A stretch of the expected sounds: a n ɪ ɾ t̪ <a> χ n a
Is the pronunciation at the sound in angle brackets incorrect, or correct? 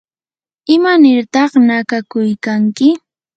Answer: incorrect